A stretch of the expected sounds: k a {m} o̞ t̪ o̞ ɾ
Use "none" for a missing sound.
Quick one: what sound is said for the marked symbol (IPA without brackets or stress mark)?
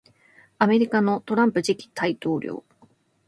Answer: n